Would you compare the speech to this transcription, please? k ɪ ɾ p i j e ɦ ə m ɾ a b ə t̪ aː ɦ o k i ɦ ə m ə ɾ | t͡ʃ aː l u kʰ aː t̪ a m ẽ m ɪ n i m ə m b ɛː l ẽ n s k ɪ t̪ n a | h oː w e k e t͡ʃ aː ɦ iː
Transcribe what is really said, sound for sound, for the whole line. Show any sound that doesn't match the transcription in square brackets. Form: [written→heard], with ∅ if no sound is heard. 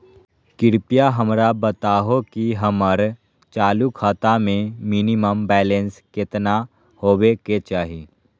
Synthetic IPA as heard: k ɪ ɾ p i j [e→a] ɦ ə m ɾ a b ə t̪ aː ɦ o k i ɦ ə m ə ɾ | t͡ʃ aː l u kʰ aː t̪ a m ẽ m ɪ n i m ə m b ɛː l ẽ n s k ɪ t̪ n a | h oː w e k e t͡ʃ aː ɦ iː

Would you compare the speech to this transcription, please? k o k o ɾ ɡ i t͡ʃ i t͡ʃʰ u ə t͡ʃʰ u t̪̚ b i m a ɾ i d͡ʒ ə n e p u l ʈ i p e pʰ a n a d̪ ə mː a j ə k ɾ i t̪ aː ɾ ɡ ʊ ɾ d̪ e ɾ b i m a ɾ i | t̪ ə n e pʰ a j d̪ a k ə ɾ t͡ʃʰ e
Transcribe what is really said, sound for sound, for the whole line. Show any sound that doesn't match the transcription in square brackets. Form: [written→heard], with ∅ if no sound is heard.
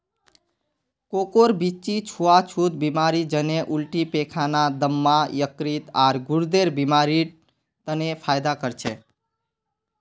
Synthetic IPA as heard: k o k o ɾ [ɡ→b] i t͡ʃ i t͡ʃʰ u [ə→a] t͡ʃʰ u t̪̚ b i m a ɾ i d͡ʒ ə n e [p→ʔ] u l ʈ i p e [pʰ→kʰ] a n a d̪ ə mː a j ə k ɾ i t̪ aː ɾ ɡ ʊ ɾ d̪ e ɾ b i m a ɾ i | t̪ ə n e pʰ a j d̪ a k ə ɾ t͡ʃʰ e

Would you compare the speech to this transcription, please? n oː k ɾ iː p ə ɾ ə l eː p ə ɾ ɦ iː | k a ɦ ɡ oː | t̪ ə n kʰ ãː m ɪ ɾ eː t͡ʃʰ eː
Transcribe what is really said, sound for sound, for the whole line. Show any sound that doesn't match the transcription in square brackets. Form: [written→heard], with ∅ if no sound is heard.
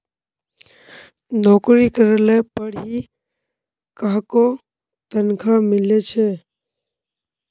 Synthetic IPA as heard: n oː k ɾ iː [p→k] ə ɾ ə l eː p ə [ɾ→ɽ] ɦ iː | k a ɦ [ɡ→k] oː | t̪ ə n kʰ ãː m ɪ [ɾ→l] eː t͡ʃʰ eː

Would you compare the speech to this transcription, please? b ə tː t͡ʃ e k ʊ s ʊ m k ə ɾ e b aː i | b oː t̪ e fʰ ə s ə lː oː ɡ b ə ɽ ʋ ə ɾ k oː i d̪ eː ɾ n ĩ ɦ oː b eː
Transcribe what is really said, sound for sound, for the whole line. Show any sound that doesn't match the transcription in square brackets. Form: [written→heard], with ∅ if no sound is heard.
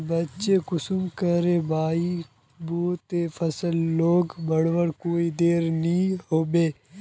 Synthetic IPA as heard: b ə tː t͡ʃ e k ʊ s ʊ m k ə ɾ e b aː i | b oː t̪ e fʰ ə s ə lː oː ɡ b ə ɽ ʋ ə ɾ k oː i d̪ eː ɾ n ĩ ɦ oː b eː

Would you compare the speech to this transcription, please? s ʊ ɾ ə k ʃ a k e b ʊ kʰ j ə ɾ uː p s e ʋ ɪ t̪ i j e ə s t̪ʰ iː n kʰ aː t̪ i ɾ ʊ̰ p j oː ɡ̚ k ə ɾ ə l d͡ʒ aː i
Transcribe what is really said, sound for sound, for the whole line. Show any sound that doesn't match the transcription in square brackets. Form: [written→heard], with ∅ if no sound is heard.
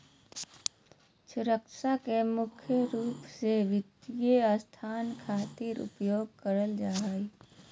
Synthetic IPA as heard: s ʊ ɾ ə k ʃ a k e [b→m] ʊ kʰ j ə ɾ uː p s e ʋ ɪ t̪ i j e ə s t̪ʰ [iː→aː] n kʰ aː t̪ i ɾ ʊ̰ p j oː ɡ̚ k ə ɾ ə l d͡ʒ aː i

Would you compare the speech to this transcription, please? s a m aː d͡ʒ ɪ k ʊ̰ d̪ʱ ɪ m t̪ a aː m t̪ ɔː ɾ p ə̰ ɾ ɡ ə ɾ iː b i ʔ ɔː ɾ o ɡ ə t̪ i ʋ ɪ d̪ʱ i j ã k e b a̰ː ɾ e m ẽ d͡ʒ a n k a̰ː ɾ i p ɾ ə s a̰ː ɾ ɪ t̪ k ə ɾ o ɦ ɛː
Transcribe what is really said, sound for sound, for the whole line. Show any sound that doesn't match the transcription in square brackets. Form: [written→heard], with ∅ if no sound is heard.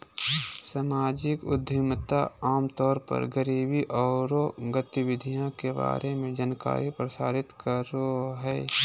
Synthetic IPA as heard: s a m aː d͡ʒ ɪ k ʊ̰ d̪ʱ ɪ m t̪ a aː m t̪ ɔː ɾ p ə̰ ɾ ɡ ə ɾ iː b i ʔ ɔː ɾ o ɡ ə t̪ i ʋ ɪ d̪ʱ i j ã k e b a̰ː ɾ e m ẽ d͡ʒ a n k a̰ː ɾ i p ɾ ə s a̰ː ɾ ɪ t̪ k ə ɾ o ɦ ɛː

